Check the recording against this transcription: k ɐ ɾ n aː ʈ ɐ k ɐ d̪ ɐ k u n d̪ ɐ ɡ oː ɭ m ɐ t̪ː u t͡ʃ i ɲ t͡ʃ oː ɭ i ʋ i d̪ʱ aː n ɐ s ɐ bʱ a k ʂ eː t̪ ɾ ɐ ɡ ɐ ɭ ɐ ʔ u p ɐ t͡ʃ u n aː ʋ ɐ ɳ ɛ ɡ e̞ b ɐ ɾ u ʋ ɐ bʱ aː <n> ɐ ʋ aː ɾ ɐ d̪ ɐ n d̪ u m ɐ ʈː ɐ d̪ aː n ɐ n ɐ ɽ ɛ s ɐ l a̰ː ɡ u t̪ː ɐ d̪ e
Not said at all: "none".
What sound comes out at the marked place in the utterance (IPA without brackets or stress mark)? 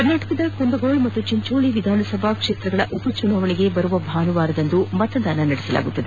n